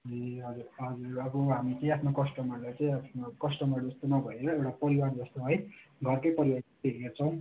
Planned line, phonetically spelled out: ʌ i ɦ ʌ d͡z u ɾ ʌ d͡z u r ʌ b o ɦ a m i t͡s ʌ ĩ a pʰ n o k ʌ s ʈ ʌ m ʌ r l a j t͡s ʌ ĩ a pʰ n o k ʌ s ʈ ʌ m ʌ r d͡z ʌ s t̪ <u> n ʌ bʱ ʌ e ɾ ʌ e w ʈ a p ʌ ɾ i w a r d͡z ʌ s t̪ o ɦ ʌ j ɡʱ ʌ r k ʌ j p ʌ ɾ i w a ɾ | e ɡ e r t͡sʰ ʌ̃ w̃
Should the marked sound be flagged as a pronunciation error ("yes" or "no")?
yes